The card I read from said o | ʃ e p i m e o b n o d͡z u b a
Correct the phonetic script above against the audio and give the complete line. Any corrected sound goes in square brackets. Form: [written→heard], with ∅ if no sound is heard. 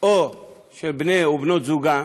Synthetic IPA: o | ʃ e [p→b] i [m→n] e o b n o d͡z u [b→ɡ] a